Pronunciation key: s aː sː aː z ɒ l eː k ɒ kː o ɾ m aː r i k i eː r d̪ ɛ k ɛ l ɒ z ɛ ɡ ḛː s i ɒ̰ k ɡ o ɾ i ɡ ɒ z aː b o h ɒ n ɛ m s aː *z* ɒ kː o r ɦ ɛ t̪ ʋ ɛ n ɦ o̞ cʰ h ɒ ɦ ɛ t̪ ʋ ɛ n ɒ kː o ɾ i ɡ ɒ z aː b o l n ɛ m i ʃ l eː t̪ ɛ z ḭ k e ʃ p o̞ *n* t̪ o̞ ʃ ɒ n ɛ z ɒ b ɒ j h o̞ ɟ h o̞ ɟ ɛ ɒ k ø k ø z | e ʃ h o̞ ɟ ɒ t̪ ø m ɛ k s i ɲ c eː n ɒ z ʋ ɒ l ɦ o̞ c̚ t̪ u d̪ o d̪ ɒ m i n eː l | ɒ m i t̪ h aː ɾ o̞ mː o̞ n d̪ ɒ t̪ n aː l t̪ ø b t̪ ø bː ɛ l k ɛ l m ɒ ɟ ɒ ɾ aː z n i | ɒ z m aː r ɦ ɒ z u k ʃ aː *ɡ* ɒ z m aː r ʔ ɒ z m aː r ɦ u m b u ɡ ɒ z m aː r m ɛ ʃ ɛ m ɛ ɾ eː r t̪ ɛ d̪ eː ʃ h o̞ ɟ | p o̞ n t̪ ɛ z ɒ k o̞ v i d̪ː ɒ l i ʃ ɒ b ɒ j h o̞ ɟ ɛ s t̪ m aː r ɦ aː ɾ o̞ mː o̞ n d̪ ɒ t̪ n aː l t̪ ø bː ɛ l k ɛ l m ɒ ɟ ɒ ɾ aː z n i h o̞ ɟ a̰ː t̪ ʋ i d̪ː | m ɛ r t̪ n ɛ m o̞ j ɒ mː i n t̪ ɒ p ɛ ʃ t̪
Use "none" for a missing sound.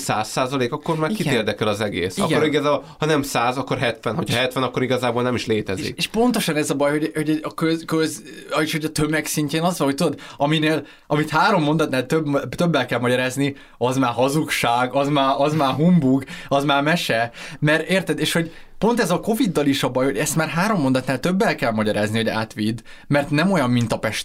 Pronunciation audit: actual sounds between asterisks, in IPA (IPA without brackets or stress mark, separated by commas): z, n, ɡ